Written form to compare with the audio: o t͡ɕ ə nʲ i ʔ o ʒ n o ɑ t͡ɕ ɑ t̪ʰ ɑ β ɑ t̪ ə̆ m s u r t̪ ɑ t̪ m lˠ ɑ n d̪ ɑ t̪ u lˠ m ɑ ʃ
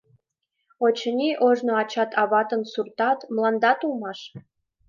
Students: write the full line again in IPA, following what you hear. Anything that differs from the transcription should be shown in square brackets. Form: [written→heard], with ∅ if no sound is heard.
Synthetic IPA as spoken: o t͡ɕ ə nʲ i ʔ o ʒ n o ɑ t͡ɕ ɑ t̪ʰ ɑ β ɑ t̪ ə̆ [m→n] s u r t̪ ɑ t̪ m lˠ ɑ n d̪ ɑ t̪ u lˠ m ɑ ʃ